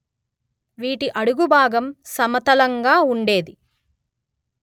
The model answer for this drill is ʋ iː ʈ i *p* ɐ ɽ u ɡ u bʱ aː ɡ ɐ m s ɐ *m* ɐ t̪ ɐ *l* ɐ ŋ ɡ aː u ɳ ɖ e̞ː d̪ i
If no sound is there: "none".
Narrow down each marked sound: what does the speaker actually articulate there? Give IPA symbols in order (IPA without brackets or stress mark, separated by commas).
ʔ, m, l